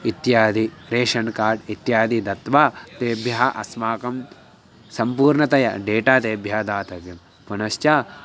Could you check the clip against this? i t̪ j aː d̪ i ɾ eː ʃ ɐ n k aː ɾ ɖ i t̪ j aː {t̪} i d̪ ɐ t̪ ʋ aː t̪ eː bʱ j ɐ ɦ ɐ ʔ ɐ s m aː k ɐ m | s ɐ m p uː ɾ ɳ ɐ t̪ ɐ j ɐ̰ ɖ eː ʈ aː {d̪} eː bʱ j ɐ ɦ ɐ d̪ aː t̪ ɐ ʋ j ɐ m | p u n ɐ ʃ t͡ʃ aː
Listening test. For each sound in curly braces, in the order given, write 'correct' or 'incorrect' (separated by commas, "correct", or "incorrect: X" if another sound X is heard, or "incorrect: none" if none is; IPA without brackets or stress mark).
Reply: incorrect: d̪, incorrect: t̪